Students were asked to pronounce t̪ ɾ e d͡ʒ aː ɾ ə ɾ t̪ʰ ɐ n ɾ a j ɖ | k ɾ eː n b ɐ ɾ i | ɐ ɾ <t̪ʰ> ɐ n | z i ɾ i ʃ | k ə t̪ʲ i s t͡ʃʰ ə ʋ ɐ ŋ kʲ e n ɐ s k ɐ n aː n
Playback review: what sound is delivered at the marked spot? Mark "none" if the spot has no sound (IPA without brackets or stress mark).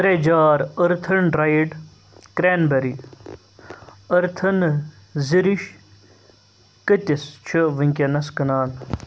t̪ʰ